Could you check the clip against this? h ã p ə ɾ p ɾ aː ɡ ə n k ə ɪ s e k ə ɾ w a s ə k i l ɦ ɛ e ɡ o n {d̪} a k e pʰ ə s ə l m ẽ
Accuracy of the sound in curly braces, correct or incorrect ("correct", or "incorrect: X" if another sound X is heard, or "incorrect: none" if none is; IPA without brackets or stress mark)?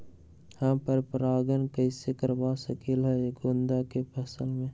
correct